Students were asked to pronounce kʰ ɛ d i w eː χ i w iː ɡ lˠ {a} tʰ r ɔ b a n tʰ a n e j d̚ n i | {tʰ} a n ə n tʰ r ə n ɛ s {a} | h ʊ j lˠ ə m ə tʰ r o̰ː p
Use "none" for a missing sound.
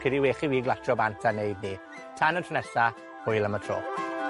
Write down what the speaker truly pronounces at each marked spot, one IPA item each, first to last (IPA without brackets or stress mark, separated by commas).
a, tʰ, a